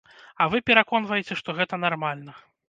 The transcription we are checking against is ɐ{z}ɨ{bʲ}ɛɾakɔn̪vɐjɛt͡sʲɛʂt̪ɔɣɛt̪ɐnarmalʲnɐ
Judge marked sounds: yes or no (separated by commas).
no, no